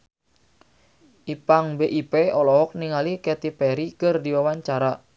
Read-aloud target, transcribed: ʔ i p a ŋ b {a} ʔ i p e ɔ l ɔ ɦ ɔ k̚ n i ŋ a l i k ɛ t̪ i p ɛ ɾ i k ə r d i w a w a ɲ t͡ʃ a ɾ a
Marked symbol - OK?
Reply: no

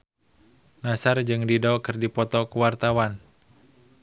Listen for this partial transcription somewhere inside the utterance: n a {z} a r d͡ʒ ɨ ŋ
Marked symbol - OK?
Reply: no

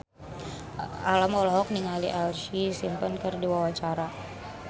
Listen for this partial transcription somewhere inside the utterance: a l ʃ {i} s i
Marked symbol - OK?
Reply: yes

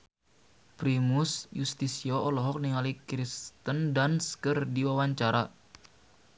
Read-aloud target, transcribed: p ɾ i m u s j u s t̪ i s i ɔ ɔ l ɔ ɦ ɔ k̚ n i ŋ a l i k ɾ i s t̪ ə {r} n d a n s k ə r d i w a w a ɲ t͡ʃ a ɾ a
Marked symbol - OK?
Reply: no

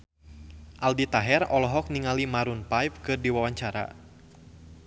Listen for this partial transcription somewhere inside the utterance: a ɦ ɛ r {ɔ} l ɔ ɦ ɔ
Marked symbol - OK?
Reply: yes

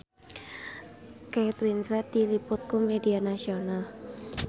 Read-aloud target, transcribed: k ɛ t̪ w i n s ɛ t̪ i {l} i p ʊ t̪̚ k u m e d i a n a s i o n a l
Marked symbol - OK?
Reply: yes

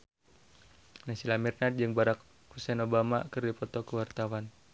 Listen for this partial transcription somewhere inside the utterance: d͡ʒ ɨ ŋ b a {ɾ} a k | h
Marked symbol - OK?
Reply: yes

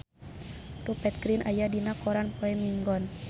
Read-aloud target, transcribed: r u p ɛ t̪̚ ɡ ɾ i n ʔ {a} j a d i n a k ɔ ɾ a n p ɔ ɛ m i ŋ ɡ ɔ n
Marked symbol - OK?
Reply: yes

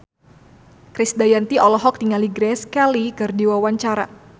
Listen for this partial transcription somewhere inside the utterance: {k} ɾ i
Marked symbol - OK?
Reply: yes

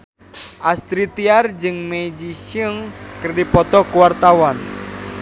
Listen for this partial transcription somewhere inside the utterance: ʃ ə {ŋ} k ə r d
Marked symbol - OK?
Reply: yes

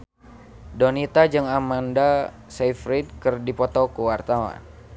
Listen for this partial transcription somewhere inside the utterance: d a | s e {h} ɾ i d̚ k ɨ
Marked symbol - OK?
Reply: no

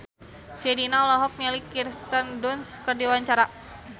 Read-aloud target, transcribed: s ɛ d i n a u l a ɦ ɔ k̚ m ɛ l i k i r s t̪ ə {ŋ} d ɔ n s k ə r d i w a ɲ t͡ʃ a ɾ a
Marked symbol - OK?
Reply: no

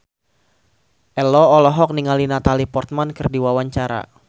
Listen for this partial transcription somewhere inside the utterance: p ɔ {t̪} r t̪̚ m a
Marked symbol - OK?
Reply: no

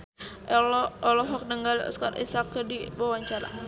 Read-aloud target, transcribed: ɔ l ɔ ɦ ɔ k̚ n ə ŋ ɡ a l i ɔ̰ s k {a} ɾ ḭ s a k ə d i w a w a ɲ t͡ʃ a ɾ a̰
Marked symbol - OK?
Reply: yes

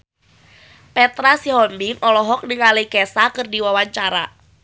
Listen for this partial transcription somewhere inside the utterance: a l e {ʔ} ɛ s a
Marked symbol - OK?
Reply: no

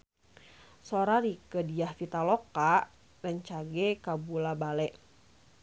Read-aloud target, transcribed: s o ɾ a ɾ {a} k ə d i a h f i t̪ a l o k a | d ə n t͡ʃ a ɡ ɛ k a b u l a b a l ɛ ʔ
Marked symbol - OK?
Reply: no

